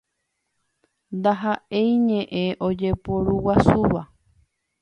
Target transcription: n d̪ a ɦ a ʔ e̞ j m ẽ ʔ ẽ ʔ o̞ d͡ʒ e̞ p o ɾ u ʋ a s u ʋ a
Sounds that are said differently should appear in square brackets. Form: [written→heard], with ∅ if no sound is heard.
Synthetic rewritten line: n d̪ a ɦ a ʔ e̞ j [m→ɲ] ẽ ʔ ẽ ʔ o̞ d͡ʒ e̞ p o ɾ u [ʋ→w] a s u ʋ a